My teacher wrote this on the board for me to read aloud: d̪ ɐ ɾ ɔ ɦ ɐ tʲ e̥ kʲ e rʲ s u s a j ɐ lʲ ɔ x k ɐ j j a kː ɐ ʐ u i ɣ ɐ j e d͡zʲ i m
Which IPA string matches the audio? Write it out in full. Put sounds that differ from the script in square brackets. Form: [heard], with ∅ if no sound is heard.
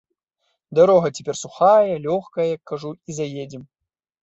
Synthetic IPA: d̪ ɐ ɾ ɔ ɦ ɐ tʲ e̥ [pʲ] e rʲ s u [x] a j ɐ lʲ ɔ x k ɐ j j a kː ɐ ʐ u i [z] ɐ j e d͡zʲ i m